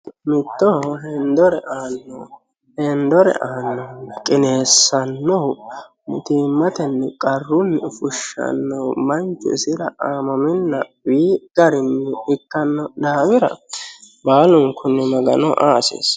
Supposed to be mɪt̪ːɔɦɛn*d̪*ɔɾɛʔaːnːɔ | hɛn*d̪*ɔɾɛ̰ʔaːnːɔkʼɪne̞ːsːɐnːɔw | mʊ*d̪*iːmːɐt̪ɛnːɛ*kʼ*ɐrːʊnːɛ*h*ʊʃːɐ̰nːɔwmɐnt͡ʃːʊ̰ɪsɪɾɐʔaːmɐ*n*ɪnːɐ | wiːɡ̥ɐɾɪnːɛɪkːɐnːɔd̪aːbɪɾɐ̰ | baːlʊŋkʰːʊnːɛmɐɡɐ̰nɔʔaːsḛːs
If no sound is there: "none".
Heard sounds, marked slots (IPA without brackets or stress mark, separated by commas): d̪, d̪, t̪, kʼ, f, m